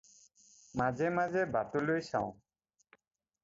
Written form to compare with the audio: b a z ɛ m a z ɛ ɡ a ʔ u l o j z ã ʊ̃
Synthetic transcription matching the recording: m a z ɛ m a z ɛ b a t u l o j s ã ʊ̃